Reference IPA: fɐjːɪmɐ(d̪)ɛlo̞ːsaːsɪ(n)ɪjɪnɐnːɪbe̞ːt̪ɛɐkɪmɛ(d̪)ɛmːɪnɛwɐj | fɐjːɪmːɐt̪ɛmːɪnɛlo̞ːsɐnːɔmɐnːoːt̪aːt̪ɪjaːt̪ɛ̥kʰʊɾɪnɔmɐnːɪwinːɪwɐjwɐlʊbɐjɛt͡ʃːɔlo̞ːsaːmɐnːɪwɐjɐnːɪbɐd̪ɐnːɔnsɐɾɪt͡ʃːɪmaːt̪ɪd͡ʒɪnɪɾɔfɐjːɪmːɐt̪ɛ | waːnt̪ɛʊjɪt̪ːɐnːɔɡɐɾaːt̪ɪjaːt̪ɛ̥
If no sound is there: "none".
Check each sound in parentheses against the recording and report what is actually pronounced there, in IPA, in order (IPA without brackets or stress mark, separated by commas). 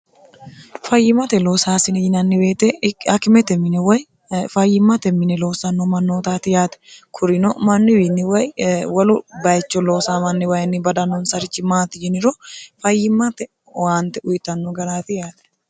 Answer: t̪, n, t̪